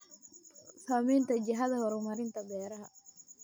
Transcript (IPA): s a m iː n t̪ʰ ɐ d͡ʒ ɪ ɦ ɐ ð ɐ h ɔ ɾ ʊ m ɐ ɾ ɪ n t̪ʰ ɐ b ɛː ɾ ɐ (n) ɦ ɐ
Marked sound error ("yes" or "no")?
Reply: yes